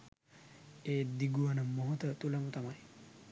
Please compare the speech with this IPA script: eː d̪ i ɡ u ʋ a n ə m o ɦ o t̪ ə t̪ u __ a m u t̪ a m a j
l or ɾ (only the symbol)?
l